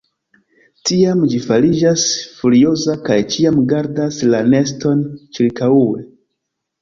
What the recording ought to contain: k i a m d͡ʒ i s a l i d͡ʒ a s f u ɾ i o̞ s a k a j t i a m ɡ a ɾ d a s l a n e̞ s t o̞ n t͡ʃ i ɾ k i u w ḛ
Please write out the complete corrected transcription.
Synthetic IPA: t i a m d͡ʒ i f a l i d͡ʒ a s f u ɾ i o̞ z a k a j t͡ʃ i a m ɡ a ɾ d a s l a n e̞ s t o̞ n t͡ʃ i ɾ k a u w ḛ